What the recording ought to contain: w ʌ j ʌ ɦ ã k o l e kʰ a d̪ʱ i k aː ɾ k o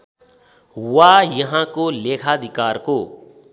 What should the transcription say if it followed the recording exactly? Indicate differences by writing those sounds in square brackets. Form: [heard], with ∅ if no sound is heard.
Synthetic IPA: w [a] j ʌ ɦ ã k o l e kʰ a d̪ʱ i k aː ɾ k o